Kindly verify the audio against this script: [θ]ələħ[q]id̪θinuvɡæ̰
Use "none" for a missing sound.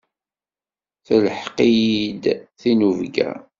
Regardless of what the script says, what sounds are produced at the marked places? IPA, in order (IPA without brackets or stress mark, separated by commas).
θ, q